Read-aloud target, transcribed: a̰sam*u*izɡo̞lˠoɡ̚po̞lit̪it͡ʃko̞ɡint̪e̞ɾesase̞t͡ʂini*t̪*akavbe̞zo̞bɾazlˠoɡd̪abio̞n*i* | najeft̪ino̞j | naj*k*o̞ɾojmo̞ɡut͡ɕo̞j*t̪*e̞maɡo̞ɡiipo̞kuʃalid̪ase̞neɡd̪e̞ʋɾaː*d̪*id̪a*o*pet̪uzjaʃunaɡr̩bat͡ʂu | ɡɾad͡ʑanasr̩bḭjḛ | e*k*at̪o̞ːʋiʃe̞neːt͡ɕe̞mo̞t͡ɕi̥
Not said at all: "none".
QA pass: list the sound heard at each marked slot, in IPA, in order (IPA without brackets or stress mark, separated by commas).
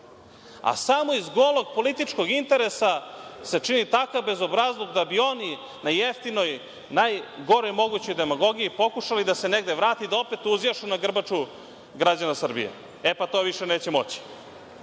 o, t̪, i, ɡ, d̪, t̪, o, p